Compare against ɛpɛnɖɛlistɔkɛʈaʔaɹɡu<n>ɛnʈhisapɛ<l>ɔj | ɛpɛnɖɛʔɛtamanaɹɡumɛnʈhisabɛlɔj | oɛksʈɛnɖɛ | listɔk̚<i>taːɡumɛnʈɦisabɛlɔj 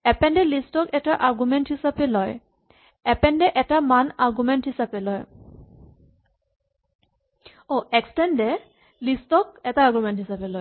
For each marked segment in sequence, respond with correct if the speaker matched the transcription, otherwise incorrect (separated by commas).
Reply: incorrect, correct, incorrect